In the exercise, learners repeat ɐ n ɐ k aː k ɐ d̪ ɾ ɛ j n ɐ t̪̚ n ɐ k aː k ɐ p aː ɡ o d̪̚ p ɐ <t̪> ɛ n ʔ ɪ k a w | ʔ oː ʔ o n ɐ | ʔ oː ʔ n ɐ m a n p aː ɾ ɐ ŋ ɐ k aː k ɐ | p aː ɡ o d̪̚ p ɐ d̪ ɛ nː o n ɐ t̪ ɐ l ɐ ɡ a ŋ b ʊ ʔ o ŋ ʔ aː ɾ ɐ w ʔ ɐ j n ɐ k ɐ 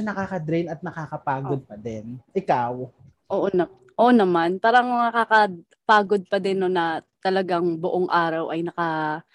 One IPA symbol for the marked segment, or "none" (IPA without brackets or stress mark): d̪